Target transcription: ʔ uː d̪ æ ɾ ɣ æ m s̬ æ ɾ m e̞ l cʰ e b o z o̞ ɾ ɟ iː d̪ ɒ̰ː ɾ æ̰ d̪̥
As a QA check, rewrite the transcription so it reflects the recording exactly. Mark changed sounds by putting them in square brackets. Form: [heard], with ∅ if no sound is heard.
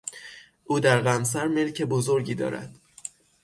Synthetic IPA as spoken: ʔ uː d̪ æ ɾ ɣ æ m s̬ æ ɾ m e̞ l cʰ e b o z o̞ ɾ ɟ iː d̪ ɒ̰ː ɾ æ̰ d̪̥